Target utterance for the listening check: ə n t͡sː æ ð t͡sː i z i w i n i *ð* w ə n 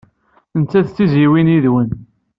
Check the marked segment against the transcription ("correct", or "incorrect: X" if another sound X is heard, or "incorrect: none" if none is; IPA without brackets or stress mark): correct